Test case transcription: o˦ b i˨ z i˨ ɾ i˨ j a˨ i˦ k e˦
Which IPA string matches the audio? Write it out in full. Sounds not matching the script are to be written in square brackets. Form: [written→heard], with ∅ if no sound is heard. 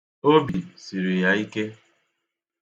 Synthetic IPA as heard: o˦ b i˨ [z→s] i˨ ɾ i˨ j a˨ i˦ k e˦

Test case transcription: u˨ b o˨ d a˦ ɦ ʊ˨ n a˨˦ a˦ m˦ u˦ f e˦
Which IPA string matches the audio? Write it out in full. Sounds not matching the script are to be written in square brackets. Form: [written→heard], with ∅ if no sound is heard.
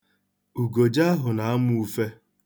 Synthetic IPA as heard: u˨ [b→ɡ] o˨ [d→d͡ʒ] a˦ ɦ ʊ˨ n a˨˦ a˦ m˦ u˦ f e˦

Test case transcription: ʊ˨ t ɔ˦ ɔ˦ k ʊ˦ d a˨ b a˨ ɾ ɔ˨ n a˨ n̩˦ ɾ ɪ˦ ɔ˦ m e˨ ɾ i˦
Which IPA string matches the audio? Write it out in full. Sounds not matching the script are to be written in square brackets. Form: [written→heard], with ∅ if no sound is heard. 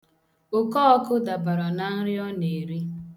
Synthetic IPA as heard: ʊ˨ [t→k] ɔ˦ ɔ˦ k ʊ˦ d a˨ b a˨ ɾ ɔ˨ n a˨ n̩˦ ɾ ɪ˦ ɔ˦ [m→n] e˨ ɾ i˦

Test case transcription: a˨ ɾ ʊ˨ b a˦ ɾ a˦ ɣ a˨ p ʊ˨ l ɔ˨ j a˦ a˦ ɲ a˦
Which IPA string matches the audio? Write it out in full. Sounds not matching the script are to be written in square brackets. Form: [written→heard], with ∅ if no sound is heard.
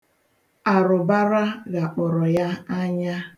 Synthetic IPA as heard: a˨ ɾ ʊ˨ b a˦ ɾ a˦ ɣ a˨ [p→k͡p] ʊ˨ [l→ɾ] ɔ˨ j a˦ a˦ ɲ a˦

